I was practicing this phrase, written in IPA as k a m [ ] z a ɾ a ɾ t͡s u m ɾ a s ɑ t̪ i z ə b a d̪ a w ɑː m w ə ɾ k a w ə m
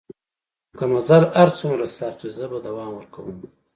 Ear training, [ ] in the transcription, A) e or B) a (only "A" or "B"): B